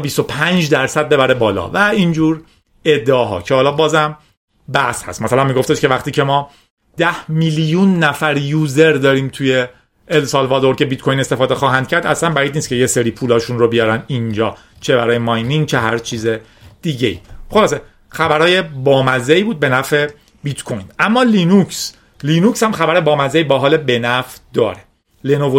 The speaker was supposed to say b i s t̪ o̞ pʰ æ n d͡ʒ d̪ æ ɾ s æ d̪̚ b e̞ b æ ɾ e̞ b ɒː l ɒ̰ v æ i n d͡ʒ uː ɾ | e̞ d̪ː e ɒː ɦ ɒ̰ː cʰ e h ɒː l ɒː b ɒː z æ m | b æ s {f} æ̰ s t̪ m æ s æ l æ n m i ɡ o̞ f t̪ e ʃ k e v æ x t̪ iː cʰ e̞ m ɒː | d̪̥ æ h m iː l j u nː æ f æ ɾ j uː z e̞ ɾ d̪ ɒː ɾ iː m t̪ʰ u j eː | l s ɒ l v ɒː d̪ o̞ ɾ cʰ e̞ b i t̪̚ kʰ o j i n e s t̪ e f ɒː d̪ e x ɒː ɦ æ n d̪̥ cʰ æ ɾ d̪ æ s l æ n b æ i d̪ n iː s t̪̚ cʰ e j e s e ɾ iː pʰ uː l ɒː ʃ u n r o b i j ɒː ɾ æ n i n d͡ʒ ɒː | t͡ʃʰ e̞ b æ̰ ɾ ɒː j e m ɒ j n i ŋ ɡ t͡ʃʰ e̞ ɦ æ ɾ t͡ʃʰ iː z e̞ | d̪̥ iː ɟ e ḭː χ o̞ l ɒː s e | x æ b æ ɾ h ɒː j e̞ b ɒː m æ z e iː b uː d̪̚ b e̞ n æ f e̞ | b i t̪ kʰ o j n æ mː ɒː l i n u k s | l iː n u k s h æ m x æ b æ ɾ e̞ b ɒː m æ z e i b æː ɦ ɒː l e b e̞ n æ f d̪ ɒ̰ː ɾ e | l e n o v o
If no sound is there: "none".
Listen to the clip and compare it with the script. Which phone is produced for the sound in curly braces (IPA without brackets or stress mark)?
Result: h